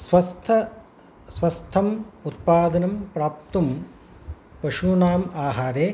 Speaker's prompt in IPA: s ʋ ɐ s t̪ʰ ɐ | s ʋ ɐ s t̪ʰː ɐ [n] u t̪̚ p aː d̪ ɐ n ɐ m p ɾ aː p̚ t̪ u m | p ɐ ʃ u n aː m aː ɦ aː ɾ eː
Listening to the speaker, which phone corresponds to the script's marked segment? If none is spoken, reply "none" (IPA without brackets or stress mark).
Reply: m